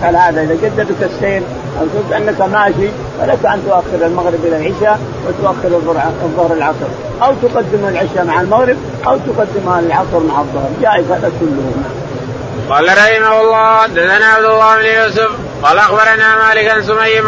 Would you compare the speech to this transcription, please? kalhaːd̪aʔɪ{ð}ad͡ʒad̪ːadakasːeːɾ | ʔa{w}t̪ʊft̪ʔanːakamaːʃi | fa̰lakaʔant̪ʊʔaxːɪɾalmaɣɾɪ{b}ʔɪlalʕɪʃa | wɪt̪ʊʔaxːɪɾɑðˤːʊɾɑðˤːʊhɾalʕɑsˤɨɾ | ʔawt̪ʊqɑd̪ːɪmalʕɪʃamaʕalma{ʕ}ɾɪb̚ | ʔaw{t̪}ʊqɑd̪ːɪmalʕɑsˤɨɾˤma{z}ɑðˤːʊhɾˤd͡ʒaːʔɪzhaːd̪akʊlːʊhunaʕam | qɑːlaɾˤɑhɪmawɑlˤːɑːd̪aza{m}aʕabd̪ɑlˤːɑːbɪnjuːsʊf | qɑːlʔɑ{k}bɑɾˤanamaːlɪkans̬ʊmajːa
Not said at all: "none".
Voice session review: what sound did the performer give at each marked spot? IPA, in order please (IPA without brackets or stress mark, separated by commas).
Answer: ð, w, b, ɣ, t̪, ʕ, n, x